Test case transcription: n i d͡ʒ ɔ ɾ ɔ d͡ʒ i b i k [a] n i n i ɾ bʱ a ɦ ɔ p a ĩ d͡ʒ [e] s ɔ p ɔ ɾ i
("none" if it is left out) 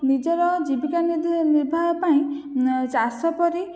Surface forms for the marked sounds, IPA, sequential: a, a

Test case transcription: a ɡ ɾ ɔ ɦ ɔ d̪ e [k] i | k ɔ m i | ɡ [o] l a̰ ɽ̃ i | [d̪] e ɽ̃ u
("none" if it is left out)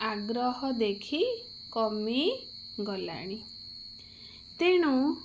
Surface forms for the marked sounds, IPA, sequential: kʰ, ɔ, t̪

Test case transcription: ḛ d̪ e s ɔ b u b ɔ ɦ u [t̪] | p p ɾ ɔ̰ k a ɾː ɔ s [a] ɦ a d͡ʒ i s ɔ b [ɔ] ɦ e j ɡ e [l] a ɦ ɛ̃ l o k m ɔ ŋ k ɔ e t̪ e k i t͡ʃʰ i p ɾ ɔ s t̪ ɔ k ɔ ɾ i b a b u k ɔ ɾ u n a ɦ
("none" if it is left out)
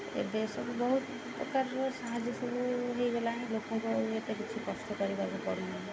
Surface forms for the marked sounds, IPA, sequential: t̪, a, u, l

